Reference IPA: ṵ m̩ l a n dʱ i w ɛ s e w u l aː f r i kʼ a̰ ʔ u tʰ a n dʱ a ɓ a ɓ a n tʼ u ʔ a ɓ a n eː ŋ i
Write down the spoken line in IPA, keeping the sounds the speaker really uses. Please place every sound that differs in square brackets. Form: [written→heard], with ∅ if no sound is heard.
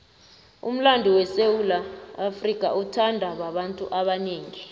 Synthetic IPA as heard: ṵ m̩ l a n dʱ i w ɛ s e w u l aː f r i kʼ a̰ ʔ u tʰ a n dʱ a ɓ a ɓ a n tʼ u ʔ a ɓ a n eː ŋ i